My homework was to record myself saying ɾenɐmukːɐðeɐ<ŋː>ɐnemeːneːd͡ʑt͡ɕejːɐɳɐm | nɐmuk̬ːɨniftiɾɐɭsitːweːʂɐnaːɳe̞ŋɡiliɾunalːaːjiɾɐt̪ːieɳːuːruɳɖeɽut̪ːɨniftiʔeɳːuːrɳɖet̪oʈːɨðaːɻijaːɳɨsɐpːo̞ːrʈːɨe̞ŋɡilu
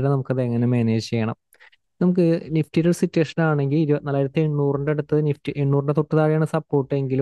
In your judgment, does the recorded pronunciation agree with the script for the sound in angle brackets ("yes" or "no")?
yes